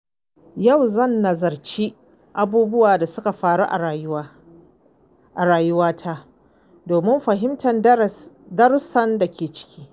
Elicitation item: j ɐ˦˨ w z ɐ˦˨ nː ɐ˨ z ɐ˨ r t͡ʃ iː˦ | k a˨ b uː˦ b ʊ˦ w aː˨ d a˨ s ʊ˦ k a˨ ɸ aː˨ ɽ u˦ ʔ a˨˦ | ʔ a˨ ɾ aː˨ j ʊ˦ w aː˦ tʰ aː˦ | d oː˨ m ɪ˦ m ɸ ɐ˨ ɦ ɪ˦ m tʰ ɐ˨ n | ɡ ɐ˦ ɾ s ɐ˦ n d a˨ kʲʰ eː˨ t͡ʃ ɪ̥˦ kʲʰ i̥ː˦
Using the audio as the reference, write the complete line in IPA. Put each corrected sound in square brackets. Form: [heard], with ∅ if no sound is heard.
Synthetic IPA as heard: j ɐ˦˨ w z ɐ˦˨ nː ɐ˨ z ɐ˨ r t͡ʃ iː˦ | [ʔ] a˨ b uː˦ b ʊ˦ w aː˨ d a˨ s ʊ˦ k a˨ ɸ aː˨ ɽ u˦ ʔ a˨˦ | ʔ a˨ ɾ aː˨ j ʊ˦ w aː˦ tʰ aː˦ | d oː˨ m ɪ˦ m ɸ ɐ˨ ɦ ɪ˦ m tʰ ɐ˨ n | [d] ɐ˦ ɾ s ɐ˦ n d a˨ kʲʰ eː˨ t͡ʃ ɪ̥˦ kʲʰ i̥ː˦